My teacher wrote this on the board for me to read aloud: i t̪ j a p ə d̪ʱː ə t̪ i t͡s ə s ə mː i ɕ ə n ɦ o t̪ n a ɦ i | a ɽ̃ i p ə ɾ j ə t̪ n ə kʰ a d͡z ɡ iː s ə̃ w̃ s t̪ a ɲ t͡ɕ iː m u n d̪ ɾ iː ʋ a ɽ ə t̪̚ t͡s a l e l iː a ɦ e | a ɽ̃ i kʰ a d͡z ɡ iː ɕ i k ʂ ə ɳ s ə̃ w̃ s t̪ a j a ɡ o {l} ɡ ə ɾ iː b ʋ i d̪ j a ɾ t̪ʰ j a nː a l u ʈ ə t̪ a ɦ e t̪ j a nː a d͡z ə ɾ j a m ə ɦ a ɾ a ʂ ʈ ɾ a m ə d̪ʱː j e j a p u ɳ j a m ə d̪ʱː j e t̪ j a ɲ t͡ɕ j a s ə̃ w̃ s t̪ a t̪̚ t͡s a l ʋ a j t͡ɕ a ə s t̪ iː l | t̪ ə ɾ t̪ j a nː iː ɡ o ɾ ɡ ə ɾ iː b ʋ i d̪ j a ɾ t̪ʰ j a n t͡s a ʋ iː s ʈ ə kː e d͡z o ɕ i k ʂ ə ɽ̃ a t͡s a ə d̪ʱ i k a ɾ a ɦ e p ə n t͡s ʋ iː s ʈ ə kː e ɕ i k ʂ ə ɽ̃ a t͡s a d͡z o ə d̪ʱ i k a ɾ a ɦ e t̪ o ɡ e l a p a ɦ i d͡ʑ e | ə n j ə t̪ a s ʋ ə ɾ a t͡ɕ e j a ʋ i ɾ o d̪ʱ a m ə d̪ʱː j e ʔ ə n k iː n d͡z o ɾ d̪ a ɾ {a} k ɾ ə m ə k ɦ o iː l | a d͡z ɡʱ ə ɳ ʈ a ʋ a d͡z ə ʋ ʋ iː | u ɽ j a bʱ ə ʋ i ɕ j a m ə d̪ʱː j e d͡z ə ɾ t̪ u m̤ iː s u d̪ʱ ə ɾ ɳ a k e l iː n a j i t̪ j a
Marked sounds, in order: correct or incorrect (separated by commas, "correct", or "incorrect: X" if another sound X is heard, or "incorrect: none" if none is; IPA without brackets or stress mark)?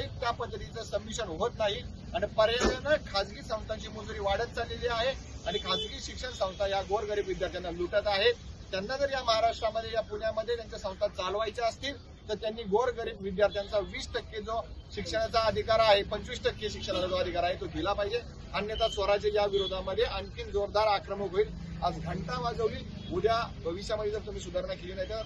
incorrect: ɾ, correct